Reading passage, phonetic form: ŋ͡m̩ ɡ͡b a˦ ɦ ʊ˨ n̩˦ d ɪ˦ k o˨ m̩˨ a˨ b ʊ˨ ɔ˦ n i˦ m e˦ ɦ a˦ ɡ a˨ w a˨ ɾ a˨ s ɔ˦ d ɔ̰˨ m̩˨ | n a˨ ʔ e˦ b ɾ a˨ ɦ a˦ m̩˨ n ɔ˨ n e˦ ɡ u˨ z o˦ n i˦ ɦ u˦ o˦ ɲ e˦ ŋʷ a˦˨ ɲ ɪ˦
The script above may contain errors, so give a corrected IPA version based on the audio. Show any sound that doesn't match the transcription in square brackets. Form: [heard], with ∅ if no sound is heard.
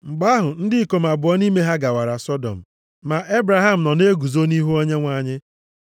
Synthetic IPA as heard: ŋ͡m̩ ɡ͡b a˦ ɦ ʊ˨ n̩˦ d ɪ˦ k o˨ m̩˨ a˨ b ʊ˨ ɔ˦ n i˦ m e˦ ɦ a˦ ɡ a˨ w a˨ ɾ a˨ s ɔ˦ d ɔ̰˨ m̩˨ | [m] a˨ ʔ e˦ b ɾ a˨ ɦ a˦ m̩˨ n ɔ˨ n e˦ ɡ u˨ z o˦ n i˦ ɦ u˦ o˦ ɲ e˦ ŋʷ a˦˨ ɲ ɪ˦

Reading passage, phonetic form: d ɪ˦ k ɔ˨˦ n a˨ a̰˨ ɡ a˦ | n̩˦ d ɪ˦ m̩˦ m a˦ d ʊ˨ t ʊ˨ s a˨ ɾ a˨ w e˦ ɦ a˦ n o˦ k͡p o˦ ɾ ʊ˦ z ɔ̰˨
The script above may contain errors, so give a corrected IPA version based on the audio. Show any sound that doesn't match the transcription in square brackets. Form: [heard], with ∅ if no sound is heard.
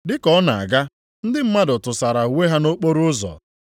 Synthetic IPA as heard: d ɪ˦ k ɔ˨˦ n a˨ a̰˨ ɡ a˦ | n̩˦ d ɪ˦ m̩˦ m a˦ d ʊ˨ t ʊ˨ s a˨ ɾ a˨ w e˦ ɦ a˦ n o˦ k͡p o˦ ɾ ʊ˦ z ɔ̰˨

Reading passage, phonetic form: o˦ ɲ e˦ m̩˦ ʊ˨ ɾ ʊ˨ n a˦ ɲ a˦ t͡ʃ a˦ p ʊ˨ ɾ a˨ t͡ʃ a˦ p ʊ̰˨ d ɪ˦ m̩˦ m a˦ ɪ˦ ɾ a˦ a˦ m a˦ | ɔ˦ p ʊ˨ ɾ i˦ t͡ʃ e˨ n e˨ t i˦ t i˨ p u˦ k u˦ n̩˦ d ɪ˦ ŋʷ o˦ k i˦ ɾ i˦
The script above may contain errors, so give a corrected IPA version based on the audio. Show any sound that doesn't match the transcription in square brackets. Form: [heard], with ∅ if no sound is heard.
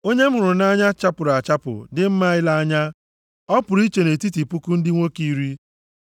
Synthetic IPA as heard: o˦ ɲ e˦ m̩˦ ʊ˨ ɾ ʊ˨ n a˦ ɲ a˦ t͡ʃ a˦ p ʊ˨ ɾ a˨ t͡ʃ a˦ p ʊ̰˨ d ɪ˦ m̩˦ m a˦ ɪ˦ [l] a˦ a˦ [ɲ] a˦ | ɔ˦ p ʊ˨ ɾ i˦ t͡ʃ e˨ n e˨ t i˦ t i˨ p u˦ k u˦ n̩˦ d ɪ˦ ŋʷ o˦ k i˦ ɾ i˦

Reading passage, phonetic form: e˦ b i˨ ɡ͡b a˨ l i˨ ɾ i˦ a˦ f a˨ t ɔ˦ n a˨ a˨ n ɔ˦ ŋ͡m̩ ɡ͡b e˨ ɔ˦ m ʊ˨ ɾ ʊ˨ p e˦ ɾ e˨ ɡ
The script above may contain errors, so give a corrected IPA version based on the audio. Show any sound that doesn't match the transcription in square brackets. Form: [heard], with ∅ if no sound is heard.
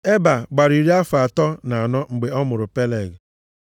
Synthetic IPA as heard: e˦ b [a˨] ɡ͡b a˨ [ɾ] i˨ ɾ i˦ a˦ f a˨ t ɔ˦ n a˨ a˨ n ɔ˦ ŋ͡m̩ ɡ͡b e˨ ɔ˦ m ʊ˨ ɾ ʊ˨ p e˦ [l] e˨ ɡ

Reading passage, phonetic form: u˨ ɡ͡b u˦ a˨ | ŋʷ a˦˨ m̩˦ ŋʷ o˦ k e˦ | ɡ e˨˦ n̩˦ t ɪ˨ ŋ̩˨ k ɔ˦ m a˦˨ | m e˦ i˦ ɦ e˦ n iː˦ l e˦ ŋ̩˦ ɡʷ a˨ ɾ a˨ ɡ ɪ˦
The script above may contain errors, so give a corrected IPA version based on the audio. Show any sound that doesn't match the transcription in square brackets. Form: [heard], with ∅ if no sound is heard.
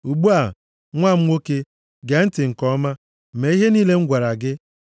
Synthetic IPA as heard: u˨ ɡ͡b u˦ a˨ | ŋʷ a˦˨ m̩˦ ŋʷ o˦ k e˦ | ɡ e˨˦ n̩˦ t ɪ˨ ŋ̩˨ k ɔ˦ m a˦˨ | m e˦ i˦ ɦ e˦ n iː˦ l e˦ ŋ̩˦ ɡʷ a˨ ɾ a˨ ɡ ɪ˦

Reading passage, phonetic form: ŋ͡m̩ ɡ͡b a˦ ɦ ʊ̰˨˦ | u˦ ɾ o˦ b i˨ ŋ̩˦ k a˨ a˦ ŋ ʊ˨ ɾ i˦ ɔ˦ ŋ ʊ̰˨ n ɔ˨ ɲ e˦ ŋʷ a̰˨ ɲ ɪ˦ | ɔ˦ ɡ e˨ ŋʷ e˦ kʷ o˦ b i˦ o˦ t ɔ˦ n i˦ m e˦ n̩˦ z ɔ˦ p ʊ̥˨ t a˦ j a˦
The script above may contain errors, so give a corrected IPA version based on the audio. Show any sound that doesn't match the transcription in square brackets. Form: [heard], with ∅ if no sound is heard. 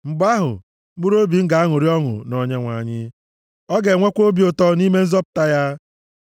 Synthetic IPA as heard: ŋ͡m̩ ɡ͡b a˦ ɦ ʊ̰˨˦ | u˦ ɾ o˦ b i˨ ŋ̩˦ [ɡ] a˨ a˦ ŋ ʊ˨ ɾ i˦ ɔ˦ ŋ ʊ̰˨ n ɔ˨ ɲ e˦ ŋʷ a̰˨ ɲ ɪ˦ | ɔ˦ ɡ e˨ ŋʷ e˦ kʷ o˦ b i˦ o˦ t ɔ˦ n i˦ m e˦ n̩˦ z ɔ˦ p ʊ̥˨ t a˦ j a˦

